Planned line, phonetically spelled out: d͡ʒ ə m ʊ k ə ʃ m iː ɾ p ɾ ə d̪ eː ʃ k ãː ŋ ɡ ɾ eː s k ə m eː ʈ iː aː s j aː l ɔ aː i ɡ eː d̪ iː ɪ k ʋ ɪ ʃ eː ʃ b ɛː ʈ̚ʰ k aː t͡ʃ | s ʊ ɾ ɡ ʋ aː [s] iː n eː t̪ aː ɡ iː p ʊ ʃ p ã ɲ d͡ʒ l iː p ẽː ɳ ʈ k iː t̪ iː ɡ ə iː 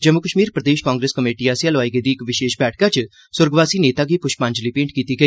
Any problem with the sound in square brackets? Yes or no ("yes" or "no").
no